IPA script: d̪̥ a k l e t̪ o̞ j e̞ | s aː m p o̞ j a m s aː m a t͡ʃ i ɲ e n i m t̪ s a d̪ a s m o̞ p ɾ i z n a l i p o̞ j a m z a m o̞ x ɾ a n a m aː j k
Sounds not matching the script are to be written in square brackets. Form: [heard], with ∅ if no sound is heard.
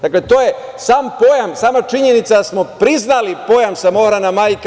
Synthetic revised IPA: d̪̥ a k l e t̪ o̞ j e̞ | s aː m p o̞ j a m s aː m a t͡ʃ i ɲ e n i [∅] t̪ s a d̪ a s m o̞ p ɾ i z n a l i p o̞ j a m [s] a m o̞ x ɾ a n a m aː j k